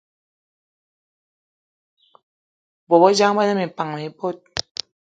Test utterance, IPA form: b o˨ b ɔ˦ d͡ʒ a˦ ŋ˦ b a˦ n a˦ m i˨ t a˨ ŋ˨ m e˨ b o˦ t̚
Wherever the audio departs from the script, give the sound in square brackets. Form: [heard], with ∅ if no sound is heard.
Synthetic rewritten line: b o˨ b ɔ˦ d͡ʒ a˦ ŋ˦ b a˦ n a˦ m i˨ [p] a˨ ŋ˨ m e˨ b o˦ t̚